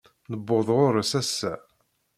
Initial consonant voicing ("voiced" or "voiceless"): voiced